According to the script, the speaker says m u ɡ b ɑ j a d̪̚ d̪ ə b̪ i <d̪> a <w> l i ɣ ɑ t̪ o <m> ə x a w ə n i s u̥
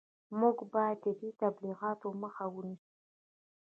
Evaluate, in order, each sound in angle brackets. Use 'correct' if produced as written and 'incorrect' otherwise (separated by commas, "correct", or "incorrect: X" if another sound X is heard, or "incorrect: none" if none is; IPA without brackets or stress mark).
incorrect: t̪, incorrect: b, correct